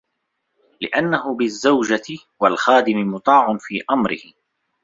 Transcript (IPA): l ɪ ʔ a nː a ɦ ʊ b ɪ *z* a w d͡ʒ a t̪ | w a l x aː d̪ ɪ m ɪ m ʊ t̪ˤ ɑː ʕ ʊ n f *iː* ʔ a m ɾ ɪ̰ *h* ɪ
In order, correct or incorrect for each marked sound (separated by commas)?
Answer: incorrect, correct, correct